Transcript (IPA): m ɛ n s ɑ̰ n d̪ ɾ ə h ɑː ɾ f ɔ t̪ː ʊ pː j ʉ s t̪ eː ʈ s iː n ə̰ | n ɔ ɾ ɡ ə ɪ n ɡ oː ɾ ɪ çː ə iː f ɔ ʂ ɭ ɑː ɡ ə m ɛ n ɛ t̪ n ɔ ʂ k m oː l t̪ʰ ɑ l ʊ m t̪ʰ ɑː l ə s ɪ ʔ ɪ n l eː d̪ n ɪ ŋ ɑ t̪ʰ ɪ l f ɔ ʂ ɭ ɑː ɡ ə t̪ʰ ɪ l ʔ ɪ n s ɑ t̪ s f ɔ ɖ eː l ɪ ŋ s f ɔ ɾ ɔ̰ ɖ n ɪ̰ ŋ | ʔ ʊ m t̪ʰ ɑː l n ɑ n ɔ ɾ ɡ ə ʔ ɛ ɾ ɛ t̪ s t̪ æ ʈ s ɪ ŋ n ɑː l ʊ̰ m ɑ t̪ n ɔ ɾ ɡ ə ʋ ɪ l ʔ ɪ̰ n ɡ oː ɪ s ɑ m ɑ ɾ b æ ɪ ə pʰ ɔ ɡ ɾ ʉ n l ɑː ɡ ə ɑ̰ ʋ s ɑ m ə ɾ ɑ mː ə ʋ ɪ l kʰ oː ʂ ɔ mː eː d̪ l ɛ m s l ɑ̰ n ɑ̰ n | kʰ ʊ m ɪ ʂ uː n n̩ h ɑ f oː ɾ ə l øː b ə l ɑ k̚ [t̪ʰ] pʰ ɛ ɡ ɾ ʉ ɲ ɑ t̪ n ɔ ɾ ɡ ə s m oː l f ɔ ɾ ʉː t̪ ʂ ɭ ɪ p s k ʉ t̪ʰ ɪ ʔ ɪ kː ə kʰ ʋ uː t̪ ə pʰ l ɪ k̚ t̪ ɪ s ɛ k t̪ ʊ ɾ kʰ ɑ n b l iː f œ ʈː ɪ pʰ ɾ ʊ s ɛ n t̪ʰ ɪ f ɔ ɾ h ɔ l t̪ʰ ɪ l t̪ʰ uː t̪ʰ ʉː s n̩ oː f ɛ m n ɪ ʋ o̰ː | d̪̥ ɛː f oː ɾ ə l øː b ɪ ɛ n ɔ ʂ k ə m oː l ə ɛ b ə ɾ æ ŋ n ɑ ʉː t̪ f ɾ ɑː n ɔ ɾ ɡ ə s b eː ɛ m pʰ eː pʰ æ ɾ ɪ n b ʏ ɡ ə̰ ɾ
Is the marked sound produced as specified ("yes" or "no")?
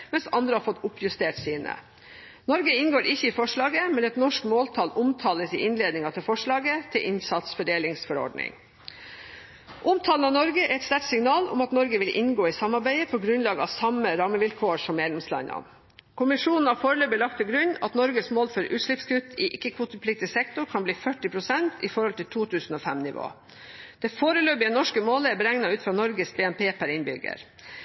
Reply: no